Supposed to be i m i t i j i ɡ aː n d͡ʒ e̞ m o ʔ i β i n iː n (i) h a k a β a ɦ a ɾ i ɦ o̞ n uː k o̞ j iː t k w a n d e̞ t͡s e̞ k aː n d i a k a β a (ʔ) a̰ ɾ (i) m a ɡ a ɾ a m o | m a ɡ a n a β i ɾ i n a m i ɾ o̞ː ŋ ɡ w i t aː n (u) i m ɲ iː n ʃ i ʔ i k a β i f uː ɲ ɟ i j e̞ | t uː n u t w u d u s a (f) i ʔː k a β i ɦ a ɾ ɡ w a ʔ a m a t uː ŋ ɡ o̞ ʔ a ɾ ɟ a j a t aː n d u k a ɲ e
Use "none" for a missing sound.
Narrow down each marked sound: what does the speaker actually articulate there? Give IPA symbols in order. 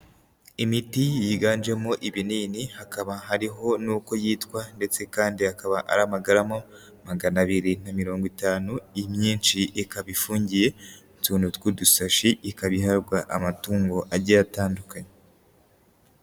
i, ʔ, a, u, ʃ

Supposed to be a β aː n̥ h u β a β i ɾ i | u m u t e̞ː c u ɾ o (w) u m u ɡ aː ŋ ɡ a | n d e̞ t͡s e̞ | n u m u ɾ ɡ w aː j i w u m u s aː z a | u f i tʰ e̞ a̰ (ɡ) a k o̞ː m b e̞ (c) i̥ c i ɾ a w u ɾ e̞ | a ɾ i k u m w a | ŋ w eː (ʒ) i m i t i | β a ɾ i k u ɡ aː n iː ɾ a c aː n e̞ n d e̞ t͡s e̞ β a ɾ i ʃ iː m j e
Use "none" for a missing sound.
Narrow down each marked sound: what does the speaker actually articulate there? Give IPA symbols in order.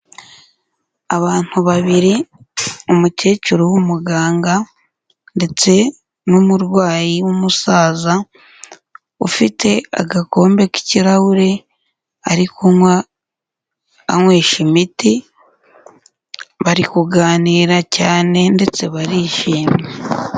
w, ɡ, k, ʃ

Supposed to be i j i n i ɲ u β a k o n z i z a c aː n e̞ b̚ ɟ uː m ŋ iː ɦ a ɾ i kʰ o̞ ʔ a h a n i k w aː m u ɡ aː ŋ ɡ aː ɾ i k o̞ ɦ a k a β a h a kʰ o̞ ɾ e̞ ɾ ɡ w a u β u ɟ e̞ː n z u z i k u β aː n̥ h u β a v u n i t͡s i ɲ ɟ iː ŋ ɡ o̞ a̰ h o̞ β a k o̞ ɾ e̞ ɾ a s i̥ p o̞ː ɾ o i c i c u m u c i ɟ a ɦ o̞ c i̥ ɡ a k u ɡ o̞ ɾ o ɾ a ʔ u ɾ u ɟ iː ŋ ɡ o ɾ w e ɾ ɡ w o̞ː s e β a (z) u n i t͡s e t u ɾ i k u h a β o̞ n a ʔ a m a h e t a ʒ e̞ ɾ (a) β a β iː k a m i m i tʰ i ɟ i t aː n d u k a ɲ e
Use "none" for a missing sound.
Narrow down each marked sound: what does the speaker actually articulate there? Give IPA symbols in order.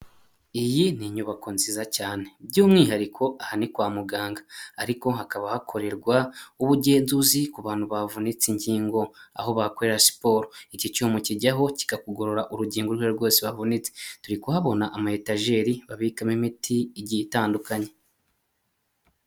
v, i

